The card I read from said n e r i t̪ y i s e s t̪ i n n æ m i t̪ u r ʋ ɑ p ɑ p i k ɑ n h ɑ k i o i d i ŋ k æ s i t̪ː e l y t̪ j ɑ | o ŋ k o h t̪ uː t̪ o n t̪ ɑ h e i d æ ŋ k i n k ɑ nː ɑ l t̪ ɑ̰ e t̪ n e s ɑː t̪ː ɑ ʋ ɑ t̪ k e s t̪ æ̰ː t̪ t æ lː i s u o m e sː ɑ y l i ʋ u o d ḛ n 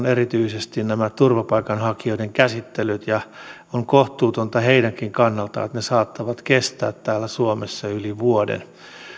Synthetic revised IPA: n e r i t̪ y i s e s t̪ i n n æ m æ t̪ u r ʋ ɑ p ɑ i k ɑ n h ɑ k i o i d e ŋ k æ s i t̪ː e l y t̪ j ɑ | o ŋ k o h t̪ uː t̪ o n t̪ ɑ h e i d æ ŋ k i ŋ k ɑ nː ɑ l t̪ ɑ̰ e t̪ n e s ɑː t̪ː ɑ ʋ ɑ t̪ k e s t̪ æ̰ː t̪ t æː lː æ s u o m e sː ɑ y l i ʋ u o d ḛ n